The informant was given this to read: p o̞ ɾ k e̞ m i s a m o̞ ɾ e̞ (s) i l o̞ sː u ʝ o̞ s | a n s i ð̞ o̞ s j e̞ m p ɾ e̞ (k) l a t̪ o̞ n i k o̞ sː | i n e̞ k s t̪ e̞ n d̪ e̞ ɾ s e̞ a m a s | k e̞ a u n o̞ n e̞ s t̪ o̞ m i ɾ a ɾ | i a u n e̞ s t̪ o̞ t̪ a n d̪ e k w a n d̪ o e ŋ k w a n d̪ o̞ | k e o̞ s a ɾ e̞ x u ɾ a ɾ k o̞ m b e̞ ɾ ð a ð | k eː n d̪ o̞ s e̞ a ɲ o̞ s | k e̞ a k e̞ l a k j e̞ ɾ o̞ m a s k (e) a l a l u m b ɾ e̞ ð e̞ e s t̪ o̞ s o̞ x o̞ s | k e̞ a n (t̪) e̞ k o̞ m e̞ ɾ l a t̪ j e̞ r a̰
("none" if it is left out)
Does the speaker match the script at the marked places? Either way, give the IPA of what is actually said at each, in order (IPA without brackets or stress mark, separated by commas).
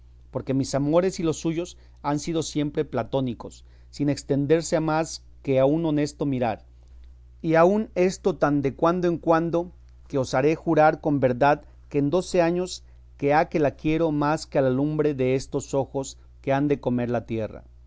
s, p, e, d̪